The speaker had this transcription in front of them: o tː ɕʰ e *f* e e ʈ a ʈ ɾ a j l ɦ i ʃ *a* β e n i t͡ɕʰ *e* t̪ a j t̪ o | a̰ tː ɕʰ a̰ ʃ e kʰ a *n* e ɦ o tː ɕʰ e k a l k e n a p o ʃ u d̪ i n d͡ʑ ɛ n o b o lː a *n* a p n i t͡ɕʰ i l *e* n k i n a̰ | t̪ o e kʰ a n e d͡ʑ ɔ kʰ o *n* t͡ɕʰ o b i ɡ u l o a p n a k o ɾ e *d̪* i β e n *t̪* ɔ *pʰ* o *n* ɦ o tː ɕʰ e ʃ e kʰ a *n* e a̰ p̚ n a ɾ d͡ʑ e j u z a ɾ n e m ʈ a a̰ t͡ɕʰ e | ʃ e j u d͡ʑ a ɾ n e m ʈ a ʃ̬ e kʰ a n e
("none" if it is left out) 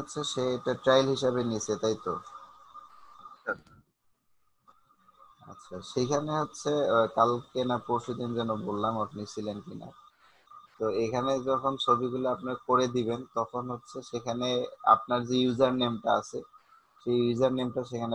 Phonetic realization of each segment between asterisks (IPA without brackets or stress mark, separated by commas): ʃ, a, e, n, m, e, n, d̪, t̪, kʰ, n, n